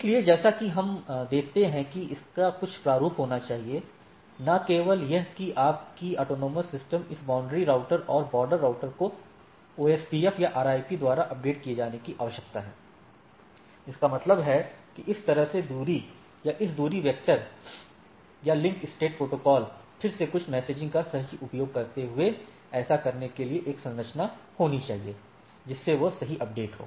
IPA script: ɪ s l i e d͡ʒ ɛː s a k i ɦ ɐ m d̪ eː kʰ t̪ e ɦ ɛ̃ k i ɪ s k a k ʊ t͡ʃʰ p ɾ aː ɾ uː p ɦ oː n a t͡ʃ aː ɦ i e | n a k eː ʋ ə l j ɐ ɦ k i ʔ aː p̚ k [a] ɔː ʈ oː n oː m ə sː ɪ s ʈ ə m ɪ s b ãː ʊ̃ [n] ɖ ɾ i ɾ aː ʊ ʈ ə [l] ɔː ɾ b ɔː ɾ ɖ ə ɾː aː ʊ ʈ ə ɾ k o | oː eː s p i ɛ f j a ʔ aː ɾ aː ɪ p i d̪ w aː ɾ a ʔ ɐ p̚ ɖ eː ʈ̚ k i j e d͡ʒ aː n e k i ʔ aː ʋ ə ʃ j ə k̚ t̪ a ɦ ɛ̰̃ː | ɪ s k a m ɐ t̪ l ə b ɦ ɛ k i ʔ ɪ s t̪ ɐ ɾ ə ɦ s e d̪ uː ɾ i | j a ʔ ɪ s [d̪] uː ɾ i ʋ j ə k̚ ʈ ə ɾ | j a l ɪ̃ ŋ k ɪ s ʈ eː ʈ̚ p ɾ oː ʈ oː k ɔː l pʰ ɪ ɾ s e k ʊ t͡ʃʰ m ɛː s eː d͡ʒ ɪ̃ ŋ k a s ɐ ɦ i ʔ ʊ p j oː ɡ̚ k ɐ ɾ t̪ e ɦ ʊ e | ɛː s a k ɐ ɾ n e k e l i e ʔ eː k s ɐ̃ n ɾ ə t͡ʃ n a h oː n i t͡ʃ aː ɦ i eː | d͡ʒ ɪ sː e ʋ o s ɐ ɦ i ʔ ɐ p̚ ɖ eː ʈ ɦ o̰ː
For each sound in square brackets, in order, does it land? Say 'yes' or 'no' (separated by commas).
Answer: no, no, no, yes